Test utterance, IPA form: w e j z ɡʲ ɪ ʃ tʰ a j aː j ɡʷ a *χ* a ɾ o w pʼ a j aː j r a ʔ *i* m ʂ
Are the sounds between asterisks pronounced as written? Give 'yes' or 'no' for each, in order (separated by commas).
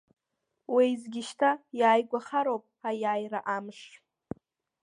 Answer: yes, no